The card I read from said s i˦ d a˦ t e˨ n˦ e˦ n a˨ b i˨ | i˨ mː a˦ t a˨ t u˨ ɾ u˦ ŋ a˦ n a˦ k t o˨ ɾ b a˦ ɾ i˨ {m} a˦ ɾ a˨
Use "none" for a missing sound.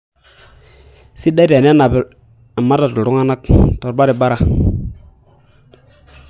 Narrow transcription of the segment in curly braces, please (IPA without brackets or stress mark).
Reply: b